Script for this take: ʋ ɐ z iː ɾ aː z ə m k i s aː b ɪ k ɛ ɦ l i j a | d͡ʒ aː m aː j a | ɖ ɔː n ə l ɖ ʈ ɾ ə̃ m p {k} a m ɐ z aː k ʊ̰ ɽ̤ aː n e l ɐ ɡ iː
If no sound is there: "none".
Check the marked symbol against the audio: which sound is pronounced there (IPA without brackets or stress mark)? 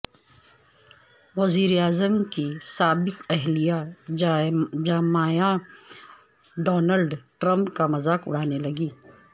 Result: k